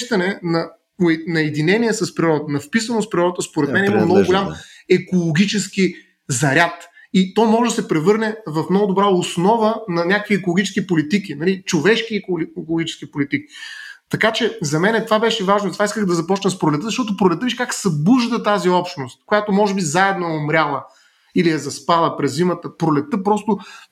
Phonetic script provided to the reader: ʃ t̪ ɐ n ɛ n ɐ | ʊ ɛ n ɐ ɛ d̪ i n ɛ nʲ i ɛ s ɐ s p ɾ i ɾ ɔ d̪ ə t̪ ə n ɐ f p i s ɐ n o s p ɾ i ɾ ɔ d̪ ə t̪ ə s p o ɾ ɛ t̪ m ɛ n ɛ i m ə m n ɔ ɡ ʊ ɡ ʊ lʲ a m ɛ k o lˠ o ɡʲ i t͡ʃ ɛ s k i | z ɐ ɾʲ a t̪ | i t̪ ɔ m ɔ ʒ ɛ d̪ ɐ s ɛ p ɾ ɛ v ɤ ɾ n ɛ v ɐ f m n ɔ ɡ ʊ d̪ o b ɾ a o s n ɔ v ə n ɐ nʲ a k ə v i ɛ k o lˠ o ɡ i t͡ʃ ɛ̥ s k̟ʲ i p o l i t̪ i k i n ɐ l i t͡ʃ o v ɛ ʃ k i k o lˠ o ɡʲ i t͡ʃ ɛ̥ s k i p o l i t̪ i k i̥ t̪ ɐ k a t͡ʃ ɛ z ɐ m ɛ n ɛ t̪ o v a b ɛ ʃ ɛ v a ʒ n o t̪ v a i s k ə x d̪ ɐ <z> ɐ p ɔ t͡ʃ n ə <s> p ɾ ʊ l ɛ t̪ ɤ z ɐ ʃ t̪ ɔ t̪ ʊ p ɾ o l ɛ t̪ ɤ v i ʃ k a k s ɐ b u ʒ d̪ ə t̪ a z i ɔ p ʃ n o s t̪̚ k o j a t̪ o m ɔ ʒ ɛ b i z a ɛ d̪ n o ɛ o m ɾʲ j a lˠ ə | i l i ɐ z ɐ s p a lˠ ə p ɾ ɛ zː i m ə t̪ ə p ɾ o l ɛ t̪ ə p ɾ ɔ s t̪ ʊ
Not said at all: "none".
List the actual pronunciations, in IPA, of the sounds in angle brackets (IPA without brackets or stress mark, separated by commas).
z, s